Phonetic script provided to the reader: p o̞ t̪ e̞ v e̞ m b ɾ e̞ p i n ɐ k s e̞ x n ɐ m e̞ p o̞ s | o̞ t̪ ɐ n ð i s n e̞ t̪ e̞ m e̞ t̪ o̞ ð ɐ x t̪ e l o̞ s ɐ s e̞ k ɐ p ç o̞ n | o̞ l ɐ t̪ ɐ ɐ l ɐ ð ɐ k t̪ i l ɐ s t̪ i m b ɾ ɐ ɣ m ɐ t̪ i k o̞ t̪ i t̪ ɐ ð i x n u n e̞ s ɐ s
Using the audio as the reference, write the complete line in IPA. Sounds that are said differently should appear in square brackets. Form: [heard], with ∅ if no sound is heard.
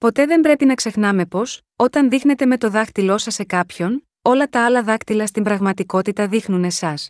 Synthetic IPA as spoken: p o̞ t̪ e̞ [ð] e̞ m b ɾ e̞ p i n ɐ k s e̞ x n ɐ m e̞ p o̞ s | o̞ t̪ ɐ n ð i [x] n e̞ t̪ e̞ m e̞ t̪ o̞ ð ɐ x t̪ [i] l o̞ s ɐ s e̞ k ɐ p ç o̞ n | o̞ l ɐ t̪ ɐ ɐ l ɐ ð ɐ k t̪ i l ɐ s t̪ i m b ɾ ɐ ɣ m ɐ t̪ i k o̞ t̪ i t̪ ɐ ð i x n u n e̞ s ɐ s